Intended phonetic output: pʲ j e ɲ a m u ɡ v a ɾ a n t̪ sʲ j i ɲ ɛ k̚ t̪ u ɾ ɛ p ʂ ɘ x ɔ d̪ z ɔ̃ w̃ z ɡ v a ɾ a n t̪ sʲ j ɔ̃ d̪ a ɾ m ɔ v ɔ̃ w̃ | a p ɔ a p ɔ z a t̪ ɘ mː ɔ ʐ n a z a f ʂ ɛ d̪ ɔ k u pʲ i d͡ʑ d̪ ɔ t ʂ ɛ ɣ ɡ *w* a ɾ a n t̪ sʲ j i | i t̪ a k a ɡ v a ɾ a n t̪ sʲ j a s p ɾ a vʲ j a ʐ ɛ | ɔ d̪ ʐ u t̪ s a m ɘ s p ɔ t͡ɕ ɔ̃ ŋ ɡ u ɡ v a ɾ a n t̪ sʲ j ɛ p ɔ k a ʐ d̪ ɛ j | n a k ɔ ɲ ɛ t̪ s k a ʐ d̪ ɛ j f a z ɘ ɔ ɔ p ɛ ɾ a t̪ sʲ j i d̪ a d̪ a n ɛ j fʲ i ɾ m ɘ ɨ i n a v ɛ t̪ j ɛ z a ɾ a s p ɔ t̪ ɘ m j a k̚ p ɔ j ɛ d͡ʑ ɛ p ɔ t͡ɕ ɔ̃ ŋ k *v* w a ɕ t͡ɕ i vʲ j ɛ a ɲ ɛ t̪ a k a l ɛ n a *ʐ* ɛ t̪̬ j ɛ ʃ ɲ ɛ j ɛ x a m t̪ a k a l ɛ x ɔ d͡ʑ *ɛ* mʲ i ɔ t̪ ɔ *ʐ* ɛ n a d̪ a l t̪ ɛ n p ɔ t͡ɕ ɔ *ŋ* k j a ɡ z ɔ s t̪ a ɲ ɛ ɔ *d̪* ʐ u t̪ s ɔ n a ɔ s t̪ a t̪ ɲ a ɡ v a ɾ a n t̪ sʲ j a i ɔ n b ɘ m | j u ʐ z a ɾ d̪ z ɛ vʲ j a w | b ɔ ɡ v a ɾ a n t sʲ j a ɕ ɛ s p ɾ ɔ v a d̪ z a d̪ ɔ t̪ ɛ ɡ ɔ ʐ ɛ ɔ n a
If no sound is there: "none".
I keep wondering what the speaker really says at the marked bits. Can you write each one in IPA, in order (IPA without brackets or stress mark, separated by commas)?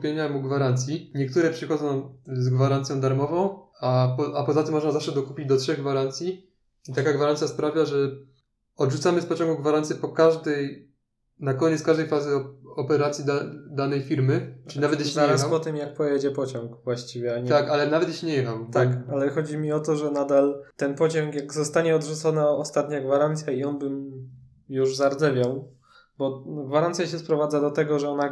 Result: v, v, v, i, ʐ, ŋ, d̪